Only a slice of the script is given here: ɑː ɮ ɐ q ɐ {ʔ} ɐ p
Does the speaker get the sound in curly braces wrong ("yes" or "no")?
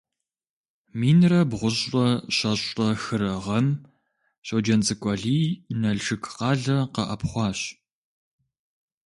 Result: no